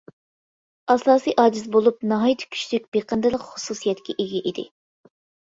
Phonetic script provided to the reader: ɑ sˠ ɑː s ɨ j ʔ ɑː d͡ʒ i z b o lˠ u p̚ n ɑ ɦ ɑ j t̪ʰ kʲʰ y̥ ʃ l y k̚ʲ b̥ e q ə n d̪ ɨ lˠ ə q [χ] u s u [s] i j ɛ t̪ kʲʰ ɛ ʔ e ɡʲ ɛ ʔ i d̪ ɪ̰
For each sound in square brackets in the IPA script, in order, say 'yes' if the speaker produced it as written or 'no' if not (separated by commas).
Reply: yes, yes